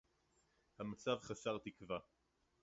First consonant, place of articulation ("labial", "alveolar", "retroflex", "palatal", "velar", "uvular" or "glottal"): glottal